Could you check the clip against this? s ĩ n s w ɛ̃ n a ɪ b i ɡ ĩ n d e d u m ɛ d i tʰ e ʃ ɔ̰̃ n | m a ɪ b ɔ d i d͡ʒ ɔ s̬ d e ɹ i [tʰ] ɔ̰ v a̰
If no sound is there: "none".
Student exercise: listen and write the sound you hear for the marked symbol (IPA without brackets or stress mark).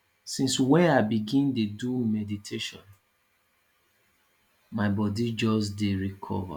kʰ